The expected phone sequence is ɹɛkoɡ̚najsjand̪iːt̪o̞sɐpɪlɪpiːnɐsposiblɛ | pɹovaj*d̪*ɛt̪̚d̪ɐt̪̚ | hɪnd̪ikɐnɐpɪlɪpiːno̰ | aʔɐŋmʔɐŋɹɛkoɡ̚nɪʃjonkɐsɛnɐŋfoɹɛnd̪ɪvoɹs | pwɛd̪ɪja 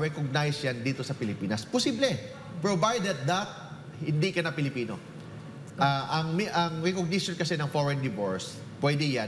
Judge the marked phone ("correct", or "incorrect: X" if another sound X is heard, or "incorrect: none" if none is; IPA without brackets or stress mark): correct